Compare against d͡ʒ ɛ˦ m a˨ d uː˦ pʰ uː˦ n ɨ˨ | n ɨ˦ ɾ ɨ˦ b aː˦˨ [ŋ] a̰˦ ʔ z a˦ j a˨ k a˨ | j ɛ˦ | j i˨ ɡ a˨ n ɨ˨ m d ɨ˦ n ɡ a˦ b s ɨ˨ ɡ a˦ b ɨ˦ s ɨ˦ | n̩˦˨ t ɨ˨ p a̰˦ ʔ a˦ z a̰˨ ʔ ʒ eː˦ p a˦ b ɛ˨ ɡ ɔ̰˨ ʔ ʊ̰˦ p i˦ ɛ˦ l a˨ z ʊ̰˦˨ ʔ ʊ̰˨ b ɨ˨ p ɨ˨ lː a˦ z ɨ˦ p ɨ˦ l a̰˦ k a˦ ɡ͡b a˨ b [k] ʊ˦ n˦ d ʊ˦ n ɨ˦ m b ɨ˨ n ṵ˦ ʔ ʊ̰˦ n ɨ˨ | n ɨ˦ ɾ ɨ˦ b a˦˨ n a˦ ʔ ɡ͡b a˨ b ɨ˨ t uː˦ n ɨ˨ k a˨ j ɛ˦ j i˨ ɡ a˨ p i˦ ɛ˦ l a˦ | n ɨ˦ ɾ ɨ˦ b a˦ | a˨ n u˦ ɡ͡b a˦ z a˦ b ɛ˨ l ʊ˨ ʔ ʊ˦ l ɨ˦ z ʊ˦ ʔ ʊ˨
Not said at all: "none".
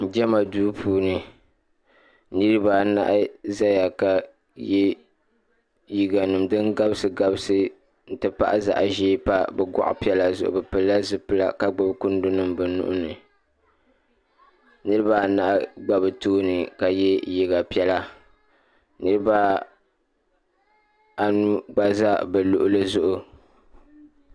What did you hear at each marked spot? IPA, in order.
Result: n, k

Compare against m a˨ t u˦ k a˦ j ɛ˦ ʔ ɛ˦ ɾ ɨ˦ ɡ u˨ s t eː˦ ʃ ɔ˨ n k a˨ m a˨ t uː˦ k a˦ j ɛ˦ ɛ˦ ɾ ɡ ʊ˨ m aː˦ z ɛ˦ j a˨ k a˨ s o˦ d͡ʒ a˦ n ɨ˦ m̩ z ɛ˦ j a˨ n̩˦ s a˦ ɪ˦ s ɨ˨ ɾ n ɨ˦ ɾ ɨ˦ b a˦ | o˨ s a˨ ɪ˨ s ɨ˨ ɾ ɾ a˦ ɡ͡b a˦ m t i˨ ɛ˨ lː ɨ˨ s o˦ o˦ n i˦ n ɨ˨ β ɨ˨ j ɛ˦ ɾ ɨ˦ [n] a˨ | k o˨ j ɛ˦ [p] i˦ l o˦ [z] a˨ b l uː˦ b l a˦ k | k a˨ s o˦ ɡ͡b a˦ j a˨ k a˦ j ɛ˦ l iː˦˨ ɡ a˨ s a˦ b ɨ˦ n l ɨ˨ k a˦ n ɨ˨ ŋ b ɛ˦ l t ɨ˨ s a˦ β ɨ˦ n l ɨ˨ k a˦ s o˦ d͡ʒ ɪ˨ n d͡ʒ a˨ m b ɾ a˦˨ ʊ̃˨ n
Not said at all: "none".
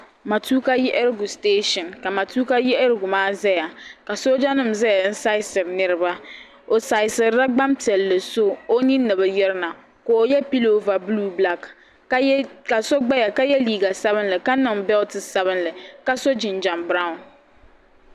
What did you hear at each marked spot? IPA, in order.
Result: n, p, v

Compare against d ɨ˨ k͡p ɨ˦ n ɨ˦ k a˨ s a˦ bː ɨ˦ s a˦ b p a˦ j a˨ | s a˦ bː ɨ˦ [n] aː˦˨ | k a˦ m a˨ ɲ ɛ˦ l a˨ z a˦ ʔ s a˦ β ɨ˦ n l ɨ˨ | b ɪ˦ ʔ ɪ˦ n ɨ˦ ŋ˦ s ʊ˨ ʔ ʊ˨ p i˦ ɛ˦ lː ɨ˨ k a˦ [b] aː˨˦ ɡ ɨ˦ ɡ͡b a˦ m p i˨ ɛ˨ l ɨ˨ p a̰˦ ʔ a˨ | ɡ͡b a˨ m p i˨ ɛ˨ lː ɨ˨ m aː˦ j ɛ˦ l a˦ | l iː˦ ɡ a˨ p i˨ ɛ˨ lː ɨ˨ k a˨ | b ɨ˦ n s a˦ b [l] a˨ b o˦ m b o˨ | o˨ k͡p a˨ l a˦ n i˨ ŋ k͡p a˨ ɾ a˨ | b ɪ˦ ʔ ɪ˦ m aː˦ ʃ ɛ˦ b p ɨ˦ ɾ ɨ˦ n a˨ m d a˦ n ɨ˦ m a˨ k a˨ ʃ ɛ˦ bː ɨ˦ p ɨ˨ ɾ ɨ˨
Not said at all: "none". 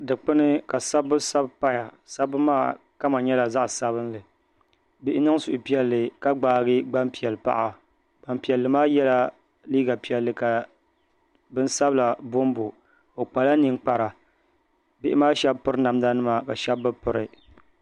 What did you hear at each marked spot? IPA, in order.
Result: m, ɡ͡b, l

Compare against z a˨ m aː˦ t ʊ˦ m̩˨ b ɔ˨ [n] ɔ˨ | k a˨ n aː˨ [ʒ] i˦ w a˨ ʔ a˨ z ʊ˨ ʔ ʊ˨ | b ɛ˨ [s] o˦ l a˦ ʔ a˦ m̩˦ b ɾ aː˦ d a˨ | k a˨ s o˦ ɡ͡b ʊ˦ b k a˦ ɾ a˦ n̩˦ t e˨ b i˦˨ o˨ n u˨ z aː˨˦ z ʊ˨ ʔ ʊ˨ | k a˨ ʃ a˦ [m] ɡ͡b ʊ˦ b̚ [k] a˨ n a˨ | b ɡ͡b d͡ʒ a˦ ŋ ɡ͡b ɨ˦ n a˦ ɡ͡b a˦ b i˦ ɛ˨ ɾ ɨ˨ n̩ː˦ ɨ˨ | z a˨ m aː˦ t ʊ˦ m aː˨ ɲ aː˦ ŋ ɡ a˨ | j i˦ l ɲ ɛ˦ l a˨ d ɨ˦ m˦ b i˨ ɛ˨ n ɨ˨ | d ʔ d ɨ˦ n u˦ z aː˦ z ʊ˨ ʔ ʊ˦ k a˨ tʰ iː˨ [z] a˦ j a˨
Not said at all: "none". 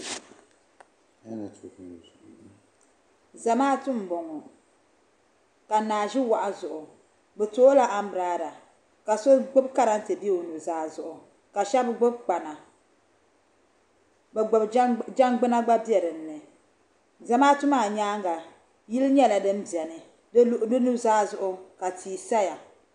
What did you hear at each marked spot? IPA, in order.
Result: ŋ, ʒ, t, b, k͡p, s

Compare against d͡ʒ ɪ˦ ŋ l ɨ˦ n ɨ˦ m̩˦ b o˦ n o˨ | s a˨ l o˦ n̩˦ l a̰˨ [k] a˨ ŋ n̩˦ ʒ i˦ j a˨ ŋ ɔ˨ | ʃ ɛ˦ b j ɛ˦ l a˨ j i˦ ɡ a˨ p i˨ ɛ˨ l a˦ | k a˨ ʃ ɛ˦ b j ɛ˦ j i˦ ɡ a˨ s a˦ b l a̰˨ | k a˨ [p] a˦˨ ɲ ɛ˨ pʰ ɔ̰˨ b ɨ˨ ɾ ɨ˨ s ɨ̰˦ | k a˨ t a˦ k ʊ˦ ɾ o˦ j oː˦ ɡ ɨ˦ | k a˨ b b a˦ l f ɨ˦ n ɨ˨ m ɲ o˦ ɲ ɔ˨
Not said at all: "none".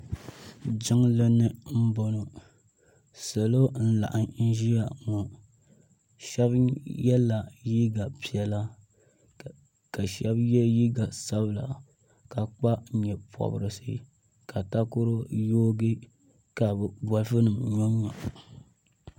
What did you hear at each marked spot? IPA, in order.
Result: ʔ, k͡p

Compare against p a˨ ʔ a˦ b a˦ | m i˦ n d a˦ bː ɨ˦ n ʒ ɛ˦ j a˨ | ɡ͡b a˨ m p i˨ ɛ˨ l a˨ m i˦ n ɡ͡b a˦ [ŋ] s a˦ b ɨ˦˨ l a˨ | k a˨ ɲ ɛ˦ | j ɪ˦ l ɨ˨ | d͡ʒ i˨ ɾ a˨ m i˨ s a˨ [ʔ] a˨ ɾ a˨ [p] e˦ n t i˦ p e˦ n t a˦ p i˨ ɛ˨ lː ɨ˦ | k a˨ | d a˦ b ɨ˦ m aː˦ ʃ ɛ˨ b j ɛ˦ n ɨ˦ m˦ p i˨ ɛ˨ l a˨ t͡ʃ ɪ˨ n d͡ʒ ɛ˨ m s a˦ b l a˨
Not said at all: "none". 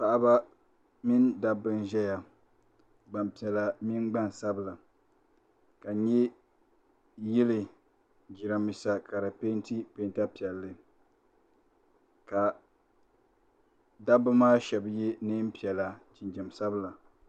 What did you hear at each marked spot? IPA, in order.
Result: n, k, p

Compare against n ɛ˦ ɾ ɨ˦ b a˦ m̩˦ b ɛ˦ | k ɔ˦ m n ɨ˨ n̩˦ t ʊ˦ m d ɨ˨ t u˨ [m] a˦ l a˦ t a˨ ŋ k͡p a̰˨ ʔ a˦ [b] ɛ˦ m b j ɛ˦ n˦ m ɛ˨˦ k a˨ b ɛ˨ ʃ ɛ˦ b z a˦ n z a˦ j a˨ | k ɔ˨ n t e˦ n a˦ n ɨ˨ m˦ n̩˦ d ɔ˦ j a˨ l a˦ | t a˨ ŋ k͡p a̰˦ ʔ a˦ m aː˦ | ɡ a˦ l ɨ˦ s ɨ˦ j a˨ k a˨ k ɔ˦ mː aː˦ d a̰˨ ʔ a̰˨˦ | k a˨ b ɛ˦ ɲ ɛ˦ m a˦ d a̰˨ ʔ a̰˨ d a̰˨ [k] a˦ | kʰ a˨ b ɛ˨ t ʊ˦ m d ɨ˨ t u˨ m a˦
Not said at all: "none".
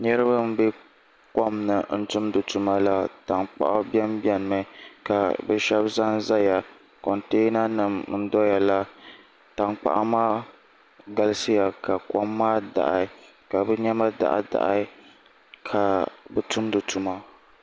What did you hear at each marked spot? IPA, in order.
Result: m, b, ʔ

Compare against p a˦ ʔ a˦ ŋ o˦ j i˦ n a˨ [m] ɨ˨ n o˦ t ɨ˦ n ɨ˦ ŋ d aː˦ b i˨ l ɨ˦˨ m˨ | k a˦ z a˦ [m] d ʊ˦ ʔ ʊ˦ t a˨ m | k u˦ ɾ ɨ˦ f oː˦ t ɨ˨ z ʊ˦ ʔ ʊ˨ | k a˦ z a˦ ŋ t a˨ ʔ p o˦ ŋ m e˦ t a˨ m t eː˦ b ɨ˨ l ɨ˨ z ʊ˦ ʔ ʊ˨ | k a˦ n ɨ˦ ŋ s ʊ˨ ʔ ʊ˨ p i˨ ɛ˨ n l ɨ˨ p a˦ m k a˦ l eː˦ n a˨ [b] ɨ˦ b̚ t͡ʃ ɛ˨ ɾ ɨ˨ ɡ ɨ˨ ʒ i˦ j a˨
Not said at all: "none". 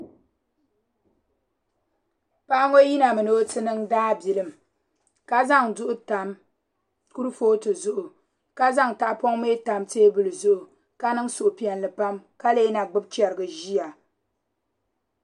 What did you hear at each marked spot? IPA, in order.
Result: m, ŋ, ɡ͡b

